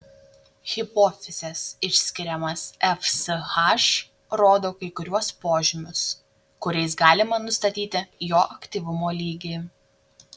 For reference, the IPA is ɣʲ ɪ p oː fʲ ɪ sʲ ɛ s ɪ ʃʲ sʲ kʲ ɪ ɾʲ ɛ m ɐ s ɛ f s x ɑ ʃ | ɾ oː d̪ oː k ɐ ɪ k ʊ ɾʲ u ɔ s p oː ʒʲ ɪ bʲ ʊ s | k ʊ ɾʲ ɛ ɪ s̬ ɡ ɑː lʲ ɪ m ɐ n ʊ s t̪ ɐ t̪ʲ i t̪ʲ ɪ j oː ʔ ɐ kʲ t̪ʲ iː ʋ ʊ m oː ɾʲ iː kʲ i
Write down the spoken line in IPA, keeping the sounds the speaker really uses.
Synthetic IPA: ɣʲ ɪ p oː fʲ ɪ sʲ ɛ s ɪ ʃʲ sʲ kʲ ɪ ɾʲ ɛ m ɐ s ɛ f s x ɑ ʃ | ɾ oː d̪ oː k ɐ ɪ k ʊ ɾʲ u ɔ s p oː ʒʲ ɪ mʲ ʊ s | k ʊ ɾʲ ɛ ɪ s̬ ɡ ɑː lʲ ɪ m ɐ n ʊ s t̪ ɐ t̪ʲ iː t̪ʲ ɪ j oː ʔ ɐ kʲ t̪ʲ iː ʋ ʊ m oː lʲ iː ɡʲ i